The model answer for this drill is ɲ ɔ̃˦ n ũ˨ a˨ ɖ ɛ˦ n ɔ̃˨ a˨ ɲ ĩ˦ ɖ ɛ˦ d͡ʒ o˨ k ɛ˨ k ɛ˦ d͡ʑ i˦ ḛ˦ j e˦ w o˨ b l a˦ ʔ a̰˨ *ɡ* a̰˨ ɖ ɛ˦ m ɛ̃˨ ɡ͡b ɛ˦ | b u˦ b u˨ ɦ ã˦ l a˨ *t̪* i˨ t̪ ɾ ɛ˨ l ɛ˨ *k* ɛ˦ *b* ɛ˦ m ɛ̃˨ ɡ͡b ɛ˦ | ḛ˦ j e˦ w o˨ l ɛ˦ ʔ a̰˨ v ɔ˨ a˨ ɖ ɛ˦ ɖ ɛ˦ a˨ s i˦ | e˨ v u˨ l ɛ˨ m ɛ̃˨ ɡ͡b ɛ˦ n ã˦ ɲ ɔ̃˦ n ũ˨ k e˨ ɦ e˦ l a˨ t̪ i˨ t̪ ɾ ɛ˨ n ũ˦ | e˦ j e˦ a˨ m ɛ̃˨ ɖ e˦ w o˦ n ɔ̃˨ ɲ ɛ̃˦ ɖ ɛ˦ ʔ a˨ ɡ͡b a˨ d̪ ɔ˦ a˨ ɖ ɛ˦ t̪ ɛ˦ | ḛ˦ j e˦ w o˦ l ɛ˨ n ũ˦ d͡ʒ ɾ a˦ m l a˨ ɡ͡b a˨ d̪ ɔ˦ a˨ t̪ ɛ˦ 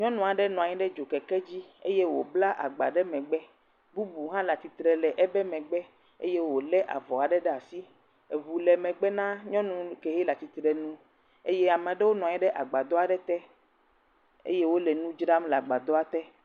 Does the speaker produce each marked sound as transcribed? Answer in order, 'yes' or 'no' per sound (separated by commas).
no, yes, no, yes